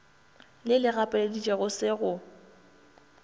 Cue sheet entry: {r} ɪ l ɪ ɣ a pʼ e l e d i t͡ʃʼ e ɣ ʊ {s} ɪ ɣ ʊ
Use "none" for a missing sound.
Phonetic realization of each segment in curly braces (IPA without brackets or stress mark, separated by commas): l, s